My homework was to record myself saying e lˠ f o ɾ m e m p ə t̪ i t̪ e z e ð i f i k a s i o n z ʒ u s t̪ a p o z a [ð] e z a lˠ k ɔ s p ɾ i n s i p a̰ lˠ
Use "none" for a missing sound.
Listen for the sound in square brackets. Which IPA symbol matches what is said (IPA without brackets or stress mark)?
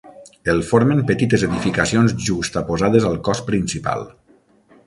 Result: ð